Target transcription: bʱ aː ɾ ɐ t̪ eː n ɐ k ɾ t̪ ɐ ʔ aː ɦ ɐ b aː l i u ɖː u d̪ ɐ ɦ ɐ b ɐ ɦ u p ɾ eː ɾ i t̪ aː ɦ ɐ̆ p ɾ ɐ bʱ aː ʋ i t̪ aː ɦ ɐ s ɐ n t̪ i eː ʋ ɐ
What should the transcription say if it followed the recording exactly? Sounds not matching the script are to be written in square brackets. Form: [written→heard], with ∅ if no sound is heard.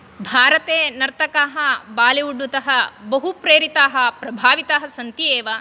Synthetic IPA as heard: bʱ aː ɾ ɐ t̪ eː n ɐ [k→∅] ɾ t̪ ɐ [ʔ→k] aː ɦ ɐ b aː l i u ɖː u [d̪→t̪] ɐ ɦ ɐ b ɐ ɦ u p ɾ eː ɾ i t̪ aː ɦ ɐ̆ p ɾ ɐ bʱ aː ʋ i t̪ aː ɦ ɐ s ɐ n t̪ i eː ʋ ɐ